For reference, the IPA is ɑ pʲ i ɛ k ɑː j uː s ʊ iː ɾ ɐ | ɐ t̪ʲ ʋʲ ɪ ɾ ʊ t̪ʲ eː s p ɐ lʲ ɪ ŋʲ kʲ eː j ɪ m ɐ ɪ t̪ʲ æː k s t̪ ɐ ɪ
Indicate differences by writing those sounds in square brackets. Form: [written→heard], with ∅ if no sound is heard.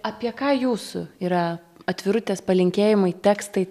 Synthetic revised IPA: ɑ pʲ i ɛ k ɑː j uː s ʊ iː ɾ ɐ | ɐ t̪ʲ ʋʲ ɪ ɾ ʊ t̪ʲ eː s p ɐ lʲ ɪ ŋʲ kʲ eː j ɪ m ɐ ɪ t̪ʲ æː k s t̪ ɐ ɪ